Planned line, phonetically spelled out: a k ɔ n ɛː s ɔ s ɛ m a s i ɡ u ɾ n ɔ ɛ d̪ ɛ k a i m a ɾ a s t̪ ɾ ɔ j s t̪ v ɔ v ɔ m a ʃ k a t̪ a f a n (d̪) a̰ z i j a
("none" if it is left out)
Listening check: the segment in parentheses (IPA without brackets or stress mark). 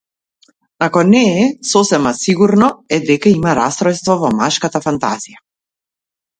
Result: t̪